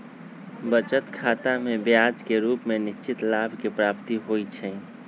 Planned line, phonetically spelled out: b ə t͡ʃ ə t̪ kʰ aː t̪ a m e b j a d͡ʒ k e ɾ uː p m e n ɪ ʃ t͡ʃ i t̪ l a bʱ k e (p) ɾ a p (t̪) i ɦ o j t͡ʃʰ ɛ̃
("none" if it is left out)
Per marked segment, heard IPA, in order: p, t̪

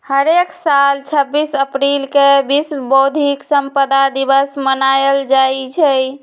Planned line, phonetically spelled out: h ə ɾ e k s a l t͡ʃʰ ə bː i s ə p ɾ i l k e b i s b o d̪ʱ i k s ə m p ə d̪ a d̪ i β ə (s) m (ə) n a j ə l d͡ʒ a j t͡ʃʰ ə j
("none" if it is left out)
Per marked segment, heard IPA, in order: s, ə

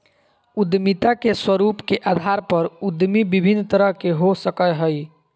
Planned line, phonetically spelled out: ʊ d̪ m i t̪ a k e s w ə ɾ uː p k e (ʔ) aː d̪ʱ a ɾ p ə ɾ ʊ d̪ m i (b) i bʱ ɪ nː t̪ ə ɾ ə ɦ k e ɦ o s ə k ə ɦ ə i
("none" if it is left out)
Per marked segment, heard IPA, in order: ʔ, b

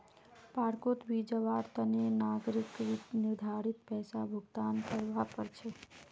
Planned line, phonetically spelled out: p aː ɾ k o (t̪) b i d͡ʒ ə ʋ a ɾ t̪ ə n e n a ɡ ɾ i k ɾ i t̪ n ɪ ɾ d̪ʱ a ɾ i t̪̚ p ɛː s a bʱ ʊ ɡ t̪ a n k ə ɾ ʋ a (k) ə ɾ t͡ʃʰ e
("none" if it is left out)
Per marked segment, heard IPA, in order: t̪, p

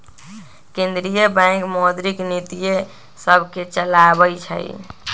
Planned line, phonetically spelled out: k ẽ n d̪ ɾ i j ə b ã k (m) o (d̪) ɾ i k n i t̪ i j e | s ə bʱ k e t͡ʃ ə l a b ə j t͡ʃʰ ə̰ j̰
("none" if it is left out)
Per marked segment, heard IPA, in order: m, d̪

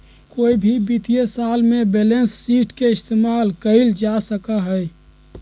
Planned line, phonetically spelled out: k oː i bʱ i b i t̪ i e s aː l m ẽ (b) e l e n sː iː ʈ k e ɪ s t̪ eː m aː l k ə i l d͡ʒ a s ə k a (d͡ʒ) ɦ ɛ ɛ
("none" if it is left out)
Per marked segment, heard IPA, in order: b, none

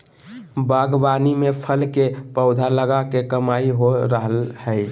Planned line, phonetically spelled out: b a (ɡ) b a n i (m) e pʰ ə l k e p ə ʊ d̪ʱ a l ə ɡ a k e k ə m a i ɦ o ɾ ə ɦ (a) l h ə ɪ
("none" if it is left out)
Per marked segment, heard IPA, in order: ɡ, m, ə

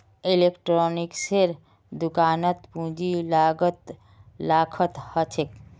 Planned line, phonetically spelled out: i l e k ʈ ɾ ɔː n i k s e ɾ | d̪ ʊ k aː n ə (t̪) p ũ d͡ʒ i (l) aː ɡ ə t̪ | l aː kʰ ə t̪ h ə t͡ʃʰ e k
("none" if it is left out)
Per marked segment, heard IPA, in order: t̪, l

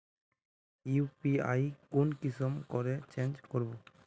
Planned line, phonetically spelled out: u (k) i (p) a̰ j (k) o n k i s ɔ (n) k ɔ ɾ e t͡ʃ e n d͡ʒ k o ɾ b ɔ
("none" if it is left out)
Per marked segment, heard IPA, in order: p, none, k, m

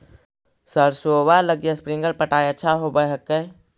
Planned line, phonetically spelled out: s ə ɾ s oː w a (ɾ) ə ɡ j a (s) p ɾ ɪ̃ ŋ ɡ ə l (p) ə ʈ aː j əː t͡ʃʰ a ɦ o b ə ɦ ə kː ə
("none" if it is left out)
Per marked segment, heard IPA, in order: l, s, p

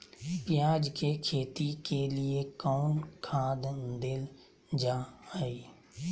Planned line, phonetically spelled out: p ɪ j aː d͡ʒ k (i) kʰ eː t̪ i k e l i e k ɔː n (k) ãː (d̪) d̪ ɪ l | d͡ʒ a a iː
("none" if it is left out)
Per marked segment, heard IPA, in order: e, kʰ, d̪

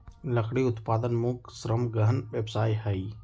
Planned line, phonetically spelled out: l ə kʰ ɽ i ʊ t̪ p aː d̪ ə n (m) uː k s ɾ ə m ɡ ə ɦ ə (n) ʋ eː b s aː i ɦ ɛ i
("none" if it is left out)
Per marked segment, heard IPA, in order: m, n

